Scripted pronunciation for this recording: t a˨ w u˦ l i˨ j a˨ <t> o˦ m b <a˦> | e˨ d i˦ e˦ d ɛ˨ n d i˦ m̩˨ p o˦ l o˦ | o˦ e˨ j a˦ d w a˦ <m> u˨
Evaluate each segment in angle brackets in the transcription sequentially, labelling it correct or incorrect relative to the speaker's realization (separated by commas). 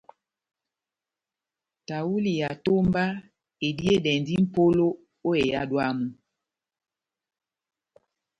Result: correct, correct, correct